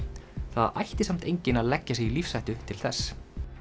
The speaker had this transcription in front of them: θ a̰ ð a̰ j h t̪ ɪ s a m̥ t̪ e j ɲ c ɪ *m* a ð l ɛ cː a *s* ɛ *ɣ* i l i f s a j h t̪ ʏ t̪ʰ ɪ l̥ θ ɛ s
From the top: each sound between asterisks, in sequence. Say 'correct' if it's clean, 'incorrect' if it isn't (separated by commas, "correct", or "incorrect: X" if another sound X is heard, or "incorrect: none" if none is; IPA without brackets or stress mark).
incorrect: n, correct, correct